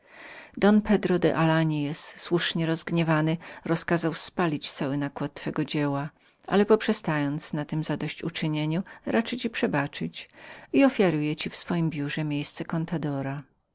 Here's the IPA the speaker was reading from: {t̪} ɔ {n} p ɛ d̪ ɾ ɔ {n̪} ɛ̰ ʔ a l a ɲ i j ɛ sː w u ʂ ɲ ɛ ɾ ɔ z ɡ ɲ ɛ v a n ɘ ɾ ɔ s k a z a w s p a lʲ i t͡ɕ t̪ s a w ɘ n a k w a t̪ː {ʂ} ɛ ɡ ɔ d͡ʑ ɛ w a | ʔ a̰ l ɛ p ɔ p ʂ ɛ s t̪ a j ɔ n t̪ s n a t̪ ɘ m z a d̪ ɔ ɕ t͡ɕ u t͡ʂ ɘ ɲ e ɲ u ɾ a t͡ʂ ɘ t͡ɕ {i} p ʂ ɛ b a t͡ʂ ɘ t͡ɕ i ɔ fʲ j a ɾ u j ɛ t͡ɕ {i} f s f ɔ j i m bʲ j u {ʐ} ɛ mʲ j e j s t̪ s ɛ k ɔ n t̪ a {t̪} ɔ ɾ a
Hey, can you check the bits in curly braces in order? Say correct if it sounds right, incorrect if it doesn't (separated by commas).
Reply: incorrect, correct, incorrect, incorrect, correct, correct, correct, incorrect